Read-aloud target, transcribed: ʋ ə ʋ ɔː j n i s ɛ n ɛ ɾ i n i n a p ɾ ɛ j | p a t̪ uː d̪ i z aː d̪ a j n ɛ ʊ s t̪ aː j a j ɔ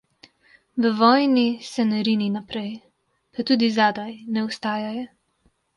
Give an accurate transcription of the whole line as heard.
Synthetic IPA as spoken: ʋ ə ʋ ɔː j n i s ɛ n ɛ ɾ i n i n a p ɾ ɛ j | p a t̪ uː d̪ i z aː d̪ a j n ɛ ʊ s t̪ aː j a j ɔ